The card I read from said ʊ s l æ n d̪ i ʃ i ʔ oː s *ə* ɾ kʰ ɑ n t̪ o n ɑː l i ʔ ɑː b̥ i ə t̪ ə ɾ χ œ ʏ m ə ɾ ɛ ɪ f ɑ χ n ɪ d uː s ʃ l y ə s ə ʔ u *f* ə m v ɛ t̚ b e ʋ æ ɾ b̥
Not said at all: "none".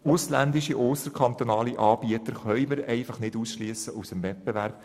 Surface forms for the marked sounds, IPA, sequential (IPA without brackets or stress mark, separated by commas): ə, s